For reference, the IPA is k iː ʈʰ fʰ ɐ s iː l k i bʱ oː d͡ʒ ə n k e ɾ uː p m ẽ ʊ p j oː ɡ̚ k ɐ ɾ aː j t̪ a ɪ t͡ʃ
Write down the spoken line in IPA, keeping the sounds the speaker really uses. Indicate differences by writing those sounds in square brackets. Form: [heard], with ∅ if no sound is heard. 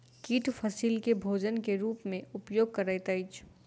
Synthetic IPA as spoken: k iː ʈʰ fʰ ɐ s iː l k [e] bʱ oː d͡ʒ ə n k e ɾ uː p m ẽ ʊ p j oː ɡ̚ k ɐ ɾ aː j t̪ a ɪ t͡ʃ